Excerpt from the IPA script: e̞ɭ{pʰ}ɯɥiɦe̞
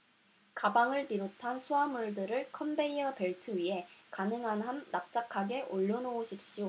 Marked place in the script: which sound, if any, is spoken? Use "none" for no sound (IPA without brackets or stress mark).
tʰ